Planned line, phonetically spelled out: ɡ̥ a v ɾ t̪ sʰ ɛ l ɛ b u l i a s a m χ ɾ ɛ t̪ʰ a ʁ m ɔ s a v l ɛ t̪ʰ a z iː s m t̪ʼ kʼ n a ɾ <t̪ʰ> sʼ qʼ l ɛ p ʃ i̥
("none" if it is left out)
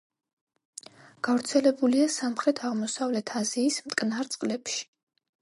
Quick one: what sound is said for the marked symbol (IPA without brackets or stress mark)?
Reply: t̪